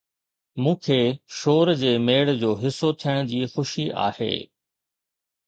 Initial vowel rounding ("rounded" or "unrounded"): rounded